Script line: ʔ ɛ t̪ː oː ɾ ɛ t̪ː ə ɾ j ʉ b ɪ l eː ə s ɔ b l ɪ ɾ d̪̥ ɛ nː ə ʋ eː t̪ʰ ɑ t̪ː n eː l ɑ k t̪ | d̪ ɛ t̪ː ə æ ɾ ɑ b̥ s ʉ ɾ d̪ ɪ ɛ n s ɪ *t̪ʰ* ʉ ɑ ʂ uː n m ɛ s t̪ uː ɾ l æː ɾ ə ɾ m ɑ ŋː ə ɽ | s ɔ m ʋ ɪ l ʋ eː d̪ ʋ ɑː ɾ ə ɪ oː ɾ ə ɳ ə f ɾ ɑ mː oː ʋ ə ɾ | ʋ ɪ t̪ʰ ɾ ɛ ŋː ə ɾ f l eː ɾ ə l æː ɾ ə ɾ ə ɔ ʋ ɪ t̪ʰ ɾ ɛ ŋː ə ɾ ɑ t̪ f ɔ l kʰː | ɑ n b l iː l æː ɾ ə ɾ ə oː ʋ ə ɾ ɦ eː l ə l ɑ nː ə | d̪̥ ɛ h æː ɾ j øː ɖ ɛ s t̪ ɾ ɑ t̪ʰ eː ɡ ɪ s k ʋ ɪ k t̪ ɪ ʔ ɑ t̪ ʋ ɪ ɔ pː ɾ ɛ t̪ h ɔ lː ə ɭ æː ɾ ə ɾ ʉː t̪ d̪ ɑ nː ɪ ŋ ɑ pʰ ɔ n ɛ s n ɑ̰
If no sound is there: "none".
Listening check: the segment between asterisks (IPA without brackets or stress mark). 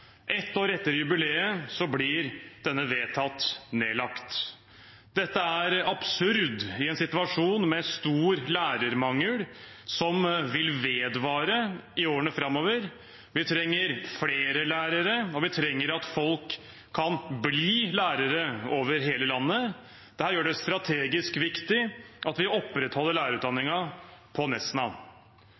t̪